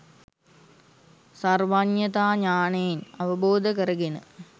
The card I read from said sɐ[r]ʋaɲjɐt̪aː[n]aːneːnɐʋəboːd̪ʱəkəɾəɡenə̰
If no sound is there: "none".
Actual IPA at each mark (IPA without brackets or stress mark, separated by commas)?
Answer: r, ɲ